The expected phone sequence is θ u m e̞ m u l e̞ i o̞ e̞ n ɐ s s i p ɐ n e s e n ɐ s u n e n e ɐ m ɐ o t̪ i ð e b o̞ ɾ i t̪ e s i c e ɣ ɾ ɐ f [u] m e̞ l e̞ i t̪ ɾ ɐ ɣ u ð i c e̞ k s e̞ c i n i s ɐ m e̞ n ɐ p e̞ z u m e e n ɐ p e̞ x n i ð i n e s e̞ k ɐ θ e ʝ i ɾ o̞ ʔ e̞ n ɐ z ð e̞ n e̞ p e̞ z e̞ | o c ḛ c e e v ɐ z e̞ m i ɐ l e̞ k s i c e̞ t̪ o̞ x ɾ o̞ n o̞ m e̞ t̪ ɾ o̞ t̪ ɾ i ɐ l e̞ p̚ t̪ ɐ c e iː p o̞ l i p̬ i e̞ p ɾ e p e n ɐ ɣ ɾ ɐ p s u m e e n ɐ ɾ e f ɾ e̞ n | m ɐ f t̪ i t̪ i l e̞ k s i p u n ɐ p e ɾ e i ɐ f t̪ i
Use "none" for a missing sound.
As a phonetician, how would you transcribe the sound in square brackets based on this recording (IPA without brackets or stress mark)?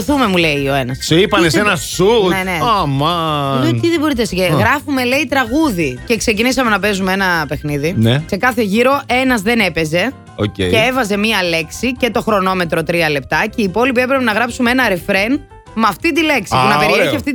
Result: u